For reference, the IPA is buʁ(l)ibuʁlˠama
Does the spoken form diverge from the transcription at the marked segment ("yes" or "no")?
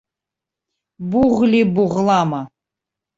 no